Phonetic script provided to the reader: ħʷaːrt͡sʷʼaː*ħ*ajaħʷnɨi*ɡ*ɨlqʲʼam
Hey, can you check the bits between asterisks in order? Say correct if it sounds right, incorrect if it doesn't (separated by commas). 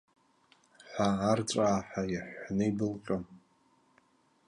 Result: correct, incorrect